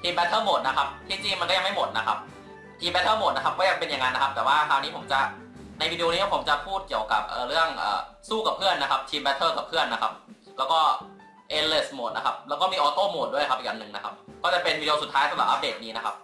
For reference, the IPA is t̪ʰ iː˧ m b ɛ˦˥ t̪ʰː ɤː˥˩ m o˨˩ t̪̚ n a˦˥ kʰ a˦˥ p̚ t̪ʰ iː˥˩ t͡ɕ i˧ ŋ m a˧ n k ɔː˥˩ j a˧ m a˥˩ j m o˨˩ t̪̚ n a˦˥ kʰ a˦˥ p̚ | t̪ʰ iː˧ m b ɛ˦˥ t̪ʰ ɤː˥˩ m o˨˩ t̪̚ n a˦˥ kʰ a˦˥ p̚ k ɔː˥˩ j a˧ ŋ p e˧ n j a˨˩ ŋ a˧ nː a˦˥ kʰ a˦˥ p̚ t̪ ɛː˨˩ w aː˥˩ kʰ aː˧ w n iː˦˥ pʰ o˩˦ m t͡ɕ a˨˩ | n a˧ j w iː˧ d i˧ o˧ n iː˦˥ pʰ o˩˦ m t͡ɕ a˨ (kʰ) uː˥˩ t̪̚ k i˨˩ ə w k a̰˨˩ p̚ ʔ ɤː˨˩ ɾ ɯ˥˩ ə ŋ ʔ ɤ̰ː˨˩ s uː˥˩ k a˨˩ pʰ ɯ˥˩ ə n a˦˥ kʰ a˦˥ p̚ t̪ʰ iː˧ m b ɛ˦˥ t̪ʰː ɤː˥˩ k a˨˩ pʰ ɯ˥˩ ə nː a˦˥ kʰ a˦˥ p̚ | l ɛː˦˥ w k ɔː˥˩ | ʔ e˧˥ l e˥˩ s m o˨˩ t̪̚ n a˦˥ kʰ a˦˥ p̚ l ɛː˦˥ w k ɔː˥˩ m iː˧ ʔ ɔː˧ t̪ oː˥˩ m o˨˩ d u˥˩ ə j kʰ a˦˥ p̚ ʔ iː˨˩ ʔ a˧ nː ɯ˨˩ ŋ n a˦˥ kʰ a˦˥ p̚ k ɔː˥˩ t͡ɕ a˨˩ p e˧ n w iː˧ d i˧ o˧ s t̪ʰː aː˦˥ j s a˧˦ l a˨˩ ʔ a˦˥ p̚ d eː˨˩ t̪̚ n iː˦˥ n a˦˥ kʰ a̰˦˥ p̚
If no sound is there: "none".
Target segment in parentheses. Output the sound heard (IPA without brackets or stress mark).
pʰ